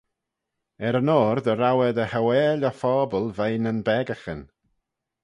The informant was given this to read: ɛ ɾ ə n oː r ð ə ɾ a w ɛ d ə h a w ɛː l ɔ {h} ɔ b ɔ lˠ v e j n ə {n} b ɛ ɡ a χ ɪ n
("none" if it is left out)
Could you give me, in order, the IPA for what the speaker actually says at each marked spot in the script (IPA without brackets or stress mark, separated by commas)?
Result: f, n